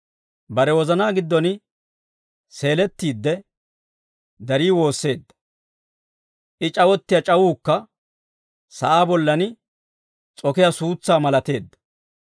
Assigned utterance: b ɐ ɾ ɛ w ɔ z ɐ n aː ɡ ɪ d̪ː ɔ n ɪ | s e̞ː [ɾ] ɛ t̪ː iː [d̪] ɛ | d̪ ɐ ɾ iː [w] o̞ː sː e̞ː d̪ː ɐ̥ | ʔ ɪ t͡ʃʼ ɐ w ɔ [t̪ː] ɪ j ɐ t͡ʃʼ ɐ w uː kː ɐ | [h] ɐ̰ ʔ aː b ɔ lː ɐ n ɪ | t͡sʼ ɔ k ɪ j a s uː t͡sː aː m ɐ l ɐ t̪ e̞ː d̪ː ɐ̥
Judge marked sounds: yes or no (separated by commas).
no, no, yes, yes, no